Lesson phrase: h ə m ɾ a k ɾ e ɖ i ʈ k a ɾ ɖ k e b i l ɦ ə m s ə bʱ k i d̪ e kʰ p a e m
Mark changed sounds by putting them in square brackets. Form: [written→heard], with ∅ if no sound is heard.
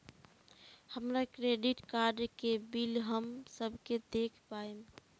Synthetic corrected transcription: h ə m ɾ a k ɾ e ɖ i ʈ k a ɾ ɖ k e b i l ɦ ə m s ə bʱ k [i→e] d̪ e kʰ p a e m